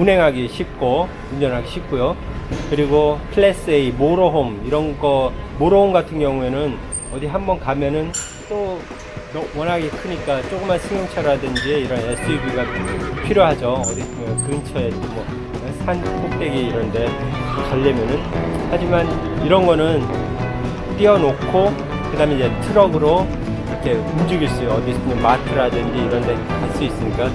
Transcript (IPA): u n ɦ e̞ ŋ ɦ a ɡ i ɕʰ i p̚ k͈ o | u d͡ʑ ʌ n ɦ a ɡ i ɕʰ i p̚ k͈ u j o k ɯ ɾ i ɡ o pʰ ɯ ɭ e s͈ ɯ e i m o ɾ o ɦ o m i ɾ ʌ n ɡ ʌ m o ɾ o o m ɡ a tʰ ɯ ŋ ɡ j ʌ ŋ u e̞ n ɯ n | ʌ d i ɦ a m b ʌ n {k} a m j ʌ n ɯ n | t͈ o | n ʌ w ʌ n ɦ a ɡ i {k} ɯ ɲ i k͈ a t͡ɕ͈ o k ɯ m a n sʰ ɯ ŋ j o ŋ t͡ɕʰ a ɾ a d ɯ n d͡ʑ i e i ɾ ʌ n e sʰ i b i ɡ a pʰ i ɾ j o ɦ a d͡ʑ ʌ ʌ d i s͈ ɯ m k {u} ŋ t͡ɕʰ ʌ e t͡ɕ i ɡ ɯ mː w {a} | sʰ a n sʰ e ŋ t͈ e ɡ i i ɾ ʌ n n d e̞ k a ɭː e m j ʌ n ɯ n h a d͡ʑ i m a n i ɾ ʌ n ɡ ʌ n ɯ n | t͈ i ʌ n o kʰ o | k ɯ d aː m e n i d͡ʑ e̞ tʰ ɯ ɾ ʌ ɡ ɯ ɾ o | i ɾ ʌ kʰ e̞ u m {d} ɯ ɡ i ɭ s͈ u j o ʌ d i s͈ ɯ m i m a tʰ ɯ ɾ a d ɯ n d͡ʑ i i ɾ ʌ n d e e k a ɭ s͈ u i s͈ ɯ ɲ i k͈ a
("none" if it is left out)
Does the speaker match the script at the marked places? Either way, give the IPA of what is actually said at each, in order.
k, kʰ, ɯ, ʌ, d͡ʑ

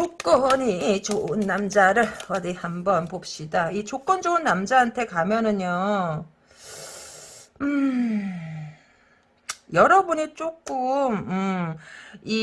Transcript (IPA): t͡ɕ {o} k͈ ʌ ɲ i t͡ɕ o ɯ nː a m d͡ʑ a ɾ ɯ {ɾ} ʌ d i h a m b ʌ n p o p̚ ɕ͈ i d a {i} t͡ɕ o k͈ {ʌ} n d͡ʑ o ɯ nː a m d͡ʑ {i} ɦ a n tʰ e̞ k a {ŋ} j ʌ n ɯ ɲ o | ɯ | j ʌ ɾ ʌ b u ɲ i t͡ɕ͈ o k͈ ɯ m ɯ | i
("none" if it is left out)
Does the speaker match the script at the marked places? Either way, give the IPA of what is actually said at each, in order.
o, ɭ, i, ʌ, a, m

